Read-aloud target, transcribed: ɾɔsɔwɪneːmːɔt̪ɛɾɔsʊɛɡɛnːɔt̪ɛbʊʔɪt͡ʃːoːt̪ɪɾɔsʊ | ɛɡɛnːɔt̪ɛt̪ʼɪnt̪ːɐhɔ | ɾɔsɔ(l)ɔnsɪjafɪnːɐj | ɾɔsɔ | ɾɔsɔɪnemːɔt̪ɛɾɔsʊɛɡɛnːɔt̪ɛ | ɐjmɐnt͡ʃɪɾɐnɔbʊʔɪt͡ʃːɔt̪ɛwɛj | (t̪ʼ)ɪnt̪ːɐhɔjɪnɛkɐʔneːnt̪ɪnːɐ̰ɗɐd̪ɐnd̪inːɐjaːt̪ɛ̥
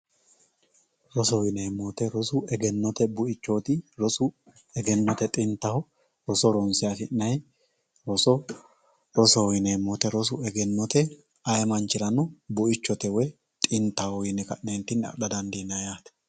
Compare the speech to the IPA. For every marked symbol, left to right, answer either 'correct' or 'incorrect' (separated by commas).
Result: incorrect, correct